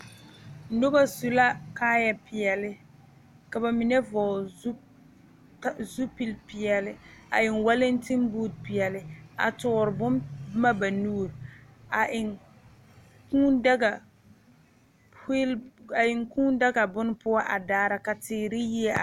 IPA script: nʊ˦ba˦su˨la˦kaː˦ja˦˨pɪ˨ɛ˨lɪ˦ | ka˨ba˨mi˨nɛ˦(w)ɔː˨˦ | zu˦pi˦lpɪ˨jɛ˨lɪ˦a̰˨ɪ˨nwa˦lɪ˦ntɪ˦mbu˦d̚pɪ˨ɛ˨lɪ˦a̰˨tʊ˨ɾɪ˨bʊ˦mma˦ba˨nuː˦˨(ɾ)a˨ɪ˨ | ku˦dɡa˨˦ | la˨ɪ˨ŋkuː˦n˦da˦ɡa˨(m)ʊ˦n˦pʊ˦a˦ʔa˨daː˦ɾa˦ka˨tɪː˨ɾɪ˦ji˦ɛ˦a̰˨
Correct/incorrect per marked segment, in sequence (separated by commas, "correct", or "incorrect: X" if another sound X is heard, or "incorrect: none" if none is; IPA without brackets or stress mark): incorrect: v, correct, incorrect: b